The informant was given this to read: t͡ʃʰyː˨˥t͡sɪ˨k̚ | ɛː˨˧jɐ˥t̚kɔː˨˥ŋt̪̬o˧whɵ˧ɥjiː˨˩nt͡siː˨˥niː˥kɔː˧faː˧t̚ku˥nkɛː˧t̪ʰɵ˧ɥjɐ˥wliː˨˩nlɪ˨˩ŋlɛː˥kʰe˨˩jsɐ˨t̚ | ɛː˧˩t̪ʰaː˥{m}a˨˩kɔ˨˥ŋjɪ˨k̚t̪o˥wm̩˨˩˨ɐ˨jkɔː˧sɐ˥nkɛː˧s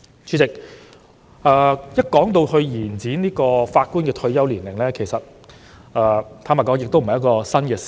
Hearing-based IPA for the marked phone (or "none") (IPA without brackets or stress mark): m